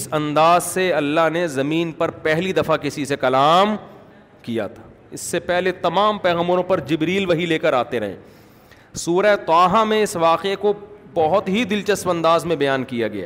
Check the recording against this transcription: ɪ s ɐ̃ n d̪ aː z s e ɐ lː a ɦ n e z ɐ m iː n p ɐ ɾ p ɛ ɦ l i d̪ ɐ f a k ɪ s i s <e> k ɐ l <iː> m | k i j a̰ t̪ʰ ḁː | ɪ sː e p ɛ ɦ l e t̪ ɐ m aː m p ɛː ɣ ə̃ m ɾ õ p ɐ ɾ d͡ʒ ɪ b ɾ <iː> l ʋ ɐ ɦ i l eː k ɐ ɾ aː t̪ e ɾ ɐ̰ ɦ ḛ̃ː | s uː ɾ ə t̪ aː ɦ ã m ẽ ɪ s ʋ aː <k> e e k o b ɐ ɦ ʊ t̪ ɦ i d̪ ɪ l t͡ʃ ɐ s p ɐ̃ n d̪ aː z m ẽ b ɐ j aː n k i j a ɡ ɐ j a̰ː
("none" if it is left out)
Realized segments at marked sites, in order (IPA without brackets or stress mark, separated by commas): e, aː, iː, q